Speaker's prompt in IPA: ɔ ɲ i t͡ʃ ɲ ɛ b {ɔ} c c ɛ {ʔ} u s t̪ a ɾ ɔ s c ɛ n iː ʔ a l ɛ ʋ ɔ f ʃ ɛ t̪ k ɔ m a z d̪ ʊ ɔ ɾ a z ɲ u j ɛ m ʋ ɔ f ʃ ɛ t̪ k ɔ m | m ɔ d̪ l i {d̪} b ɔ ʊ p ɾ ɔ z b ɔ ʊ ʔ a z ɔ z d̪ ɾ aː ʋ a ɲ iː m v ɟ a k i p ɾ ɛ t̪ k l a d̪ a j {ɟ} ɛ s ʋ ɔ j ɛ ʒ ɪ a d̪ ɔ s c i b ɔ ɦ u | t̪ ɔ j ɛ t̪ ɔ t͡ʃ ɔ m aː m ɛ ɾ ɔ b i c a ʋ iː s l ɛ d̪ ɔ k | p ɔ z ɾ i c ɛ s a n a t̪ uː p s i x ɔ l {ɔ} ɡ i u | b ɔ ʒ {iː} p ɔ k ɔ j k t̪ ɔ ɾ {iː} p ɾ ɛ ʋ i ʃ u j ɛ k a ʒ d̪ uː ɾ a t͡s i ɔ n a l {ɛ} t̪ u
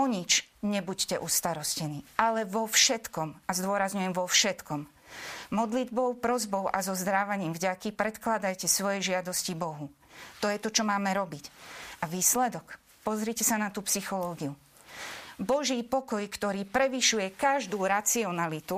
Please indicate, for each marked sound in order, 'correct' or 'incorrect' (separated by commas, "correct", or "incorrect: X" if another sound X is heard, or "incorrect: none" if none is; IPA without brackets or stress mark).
incorrect: u, correct, correct, incorrect: c, incorrect: ɔː, correct, correct, incorrect: i